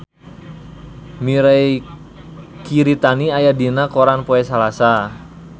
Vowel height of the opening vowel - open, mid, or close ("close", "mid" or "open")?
close